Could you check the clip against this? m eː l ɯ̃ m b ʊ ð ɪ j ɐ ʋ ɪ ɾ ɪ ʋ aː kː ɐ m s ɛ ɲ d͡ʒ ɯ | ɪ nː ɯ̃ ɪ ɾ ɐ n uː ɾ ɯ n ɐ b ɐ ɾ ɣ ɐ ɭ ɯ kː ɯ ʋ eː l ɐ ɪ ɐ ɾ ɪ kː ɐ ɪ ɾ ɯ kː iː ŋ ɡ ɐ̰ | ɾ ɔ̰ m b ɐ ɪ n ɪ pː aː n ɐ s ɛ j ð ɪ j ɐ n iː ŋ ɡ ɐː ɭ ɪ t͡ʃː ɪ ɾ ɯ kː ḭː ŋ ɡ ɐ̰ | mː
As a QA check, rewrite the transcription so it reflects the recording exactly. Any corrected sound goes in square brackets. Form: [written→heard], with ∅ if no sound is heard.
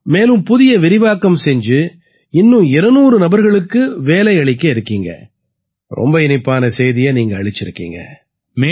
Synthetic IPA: m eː l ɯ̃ m [b→p] ʊ ð ɪ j ɐ ʋ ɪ ɾ ɪ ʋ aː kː ɐ m s ɛ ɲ d͡ʒ ɯ | ɪ nː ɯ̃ ɪ ɾ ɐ n uː ɾ ɯ n ɐ b ɐ ɾ ɣ ɐ ɭ ɯ kː ɯ ʋ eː l ɐ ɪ ɐ [ɾ→ɭ] ɪ kː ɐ ɪ ɾ ɯ kː iː ŋ ɡ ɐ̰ | ɾ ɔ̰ m b ɐ ɪ n ɪ pː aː n ɐ s ɛ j ð ɪ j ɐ n iː ŋ ɡ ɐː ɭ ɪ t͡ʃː ɪ ɾ ɯ kː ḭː ŋ ɡ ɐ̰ | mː